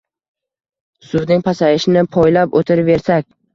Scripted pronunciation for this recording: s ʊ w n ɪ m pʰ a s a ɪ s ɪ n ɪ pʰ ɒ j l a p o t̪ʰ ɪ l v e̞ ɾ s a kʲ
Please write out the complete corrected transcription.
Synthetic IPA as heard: s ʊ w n ɪ ŋ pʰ a s a ɪ ʃ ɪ n ɪ pʰ ɒ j l a p o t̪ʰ ɪ ɾ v e̞ ɾ s a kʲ

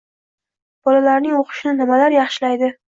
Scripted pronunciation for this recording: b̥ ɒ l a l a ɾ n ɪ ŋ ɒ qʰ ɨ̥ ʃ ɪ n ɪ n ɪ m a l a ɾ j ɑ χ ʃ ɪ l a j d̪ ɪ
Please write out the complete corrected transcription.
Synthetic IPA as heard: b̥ ɒ l a l a ɾ n ɪ ŋ o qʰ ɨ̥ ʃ ɪ n ɪ n ɪ m a l a ɾ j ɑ χ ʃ ɪ l a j d̪ ɪ

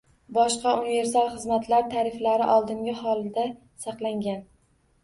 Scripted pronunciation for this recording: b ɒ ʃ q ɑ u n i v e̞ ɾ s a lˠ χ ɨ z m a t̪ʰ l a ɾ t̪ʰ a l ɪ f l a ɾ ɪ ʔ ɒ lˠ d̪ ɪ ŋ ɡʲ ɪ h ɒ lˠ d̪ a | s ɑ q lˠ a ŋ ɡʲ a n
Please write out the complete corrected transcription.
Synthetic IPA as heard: b ɒ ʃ q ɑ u n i v e̞ ɾ s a lˠ χ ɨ z m a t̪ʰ l a ɾ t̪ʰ a ɾ ɪ f l a ɾ ɪ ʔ ɒ lˠ d̪ ɪ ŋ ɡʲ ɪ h ɒ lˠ d̪ a | s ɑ q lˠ a ŋ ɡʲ a n

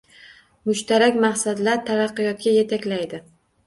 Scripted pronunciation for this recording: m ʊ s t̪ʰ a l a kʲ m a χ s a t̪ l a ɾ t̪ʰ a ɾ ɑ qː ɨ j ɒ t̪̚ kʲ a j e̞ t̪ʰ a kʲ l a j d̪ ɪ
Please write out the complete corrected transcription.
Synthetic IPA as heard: m ʊ ʃ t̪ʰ a ɾ a kʲ m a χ s a d̪ l a ɾ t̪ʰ a ɾ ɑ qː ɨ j ɒ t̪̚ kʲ a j e̞ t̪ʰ a kʲ l a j d̪ ɪ

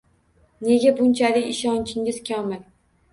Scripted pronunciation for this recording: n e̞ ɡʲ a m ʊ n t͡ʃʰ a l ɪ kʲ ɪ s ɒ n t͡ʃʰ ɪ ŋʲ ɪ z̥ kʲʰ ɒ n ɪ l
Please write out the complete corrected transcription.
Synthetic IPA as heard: n e̞ ɡʲ a b ʊ n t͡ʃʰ a l ɪ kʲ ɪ ʃ ɒ n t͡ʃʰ ɪ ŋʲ ɪ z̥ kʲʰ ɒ m ɪ l

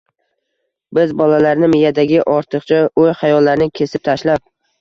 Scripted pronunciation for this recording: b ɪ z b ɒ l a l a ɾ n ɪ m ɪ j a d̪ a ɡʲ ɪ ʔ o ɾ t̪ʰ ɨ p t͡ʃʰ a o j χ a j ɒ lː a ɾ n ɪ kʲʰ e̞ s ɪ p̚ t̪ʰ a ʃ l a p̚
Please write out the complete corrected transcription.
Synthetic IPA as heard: b ɪ z b ɒ l a l a ɾ n ɪ m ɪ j a d̪ a ɡʲ ɪ ʔ ɒ ɾ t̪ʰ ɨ q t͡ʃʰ a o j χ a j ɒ lː a ɾ n ɪ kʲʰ e̞ s ɪ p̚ t̪ʰ a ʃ l a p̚

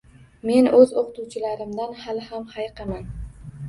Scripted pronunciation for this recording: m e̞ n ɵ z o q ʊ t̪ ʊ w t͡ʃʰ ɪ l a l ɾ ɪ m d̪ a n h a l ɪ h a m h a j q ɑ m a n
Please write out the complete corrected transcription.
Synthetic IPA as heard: m e̞ n ɵ z o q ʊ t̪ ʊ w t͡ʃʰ ɪ l a ɾ ɪ m d̪ a n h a l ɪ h a m h a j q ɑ m a n

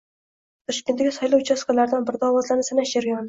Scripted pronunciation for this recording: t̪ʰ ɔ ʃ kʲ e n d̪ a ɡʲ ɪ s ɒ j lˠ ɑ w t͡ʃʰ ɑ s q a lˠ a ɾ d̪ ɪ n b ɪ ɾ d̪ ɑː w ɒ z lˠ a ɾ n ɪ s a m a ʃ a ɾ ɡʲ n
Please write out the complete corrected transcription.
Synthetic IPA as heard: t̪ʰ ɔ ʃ kʲ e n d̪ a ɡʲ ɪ s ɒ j lˠ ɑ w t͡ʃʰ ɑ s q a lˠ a ɾ d̪ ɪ n b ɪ ɾ d̪ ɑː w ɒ z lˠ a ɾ n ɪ s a n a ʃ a ɾ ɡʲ n

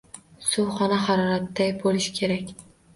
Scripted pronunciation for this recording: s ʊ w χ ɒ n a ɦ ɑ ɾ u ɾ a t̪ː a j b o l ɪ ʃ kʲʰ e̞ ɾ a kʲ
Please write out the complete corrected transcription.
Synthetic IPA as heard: s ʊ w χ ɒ n a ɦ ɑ ɾ ɒ ɾ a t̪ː a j b o l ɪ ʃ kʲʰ e̞ ɾ a kʲ

